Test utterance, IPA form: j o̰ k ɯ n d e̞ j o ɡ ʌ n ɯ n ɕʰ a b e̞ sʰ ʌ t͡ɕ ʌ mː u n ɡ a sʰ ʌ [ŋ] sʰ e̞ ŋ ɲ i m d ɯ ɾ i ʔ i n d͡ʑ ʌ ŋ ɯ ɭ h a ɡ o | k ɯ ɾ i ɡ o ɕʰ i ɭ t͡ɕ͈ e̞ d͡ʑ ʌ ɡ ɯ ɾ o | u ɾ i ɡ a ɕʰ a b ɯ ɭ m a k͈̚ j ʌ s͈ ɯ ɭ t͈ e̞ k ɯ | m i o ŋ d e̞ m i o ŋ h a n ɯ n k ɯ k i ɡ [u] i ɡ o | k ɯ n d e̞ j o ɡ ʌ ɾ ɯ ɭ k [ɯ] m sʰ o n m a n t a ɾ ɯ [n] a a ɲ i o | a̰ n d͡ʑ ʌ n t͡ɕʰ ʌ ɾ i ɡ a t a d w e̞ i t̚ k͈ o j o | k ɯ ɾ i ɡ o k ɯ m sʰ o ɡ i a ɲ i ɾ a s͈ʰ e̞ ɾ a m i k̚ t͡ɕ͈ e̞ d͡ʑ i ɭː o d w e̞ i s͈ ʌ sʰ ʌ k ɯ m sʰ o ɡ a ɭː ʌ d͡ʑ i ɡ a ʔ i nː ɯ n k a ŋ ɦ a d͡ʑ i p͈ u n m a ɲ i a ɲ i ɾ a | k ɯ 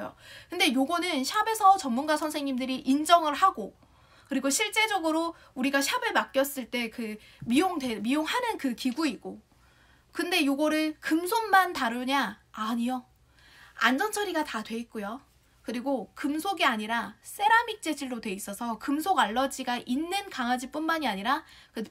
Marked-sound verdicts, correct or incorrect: incorrect: n, correct, correct, incorrect: ɲ

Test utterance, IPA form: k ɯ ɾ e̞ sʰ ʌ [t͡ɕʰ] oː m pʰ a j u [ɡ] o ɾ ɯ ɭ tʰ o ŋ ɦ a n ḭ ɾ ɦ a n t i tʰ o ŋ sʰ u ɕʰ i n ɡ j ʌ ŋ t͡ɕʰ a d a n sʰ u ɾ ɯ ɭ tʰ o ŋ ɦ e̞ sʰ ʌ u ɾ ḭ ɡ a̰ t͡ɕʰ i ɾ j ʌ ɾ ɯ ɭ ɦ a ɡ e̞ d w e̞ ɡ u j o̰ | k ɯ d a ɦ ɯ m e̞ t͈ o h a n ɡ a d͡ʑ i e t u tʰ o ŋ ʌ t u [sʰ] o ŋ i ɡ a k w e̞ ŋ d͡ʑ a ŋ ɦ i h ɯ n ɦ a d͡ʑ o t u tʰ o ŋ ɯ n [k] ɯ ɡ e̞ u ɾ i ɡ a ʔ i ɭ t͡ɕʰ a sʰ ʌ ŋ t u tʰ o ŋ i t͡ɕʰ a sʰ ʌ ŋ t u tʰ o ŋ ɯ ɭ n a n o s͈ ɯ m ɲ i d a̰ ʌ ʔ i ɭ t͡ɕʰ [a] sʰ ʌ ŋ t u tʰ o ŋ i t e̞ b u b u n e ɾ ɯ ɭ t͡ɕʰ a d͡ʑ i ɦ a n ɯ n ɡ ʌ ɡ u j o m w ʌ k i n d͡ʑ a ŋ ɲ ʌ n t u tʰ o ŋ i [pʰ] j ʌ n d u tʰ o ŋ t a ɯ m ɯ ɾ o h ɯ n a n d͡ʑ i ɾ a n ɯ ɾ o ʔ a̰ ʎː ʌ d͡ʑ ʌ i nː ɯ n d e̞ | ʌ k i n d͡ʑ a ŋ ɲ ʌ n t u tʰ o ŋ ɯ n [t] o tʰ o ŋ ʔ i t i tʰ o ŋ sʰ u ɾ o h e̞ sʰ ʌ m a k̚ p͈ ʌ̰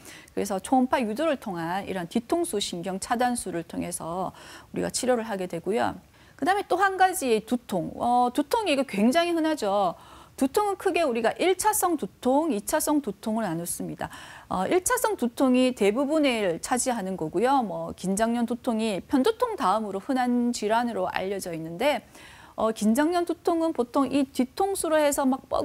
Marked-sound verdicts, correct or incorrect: correct, incorrect: d, incorrect: tʰ, incorrect: kʰ, correct, correct, incorrect: p

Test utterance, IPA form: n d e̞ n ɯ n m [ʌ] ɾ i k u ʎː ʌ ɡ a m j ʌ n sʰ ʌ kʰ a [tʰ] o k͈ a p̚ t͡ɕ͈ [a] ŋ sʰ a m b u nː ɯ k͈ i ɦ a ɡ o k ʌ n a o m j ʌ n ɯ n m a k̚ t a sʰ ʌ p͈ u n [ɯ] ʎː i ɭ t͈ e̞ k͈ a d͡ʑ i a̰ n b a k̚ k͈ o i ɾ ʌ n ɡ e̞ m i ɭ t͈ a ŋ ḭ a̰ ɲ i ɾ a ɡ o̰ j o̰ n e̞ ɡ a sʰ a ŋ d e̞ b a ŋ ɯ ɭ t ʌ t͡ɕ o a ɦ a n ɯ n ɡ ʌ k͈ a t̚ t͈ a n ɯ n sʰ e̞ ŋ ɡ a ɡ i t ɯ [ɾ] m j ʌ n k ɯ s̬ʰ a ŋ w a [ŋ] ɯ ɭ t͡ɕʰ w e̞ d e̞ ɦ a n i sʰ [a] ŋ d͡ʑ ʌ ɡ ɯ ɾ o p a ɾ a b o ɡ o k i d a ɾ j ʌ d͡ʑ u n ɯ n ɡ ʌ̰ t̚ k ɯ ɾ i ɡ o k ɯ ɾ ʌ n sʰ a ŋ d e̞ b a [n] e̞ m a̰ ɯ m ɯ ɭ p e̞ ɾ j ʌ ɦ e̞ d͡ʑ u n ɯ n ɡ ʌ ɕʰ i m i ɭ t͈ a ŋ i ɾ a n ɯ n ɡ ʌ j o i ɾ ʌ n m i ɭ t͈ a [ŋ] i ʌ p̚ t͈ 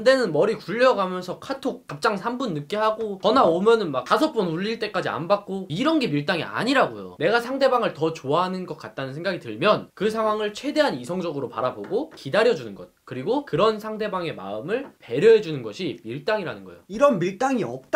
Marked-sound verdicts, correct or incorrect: correct, correct, correct, incorrect: u, incorrect: ɭ, correct, incorrect: ʌ, incorrect: ŋ, correct

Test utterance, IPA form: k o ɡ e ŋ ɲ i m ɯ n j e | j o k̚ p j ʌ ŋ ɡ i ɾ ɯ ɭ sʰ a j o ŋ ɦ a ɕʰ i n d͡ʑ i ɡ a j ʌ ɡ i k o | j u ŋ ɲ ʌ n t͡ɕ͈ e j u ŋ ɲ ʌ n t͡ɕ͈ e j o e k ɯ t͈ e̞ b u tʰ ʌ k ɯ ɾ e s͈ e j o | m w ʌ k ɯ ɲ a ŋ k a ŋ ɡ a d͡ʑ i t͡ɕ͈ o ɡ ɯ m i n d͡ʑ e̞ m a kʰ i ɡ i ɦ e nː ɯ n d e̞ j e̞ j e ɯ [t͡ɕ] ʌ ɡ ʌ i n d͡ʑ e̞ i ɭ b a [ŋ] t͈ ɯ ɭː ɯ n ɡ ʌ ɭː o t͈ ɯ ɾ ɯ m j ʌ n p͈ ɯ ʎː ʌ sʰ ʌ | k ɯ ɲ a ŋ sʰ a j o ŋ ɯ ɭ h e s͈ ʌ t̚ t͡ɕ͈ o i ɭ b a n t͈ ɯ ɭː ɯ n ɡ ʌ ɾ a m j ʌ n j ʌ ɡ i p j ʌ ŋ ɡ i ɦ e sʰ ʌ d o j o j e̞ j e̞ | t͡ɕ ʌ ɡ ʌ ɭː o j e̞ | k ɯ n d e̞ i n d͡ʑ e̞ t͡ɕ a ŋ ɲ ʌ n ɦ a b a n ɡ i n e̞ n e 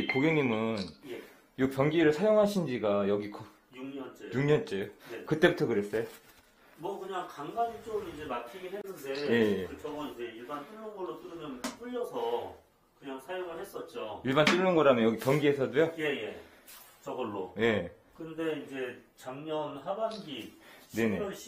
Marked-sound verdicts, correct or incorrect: correct, incorrect: n

